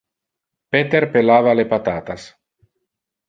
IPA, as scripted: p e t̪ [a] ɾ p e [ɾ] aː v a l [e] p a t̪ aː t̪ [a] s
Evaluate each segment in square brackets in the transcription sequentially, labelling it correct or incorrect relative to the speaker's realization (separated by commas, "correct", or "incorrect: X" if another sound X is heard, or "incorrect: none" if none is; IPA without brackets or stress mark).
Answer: incorrect: e, incorrect: l, correct, correct